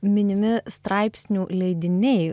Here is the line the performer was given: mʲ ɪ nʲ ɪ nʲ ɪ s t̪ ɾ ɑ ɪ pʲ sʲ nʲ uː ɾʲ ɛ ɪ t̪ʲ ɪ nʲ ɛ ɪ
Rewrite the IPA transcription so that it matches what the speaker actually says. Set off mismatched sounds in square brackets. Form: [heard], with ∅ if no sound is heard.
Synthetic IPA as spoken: mʲ ɪ nʲ ɪ [mʲ] ɪ s t̪ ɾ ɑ ɪ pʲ sʲ nʲ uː [lʲ] ɛ ɪ [d̪ʲ] ɪ nʲ ɛ ɪ